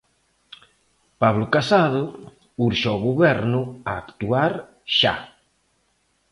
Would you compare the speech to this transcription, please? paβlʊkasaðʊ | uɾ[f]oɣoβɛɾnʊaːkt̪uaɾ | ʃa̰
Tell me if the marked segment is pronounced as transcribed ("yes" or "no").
no